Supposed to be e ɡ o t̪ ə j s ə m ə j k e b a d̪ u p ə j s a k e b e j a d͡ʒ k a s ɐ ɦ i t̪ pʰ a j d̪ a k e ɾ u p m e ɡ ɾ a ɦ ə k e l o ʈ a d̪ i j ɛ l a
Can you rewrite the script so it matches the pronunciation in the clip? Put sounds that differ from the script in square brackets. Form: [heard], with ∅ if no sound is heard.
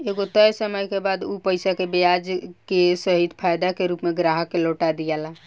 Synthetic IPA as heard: e ɡ o t̪ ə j s ə m ə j k e b a d̪ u p ə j s a k e b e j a d͡ʒ k [e] s [ə] ɦ i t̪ pʰ a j d̪ a k e ɾ u p m e ɡ ɾ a ɦ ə k e l o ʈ a d̪ i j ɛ l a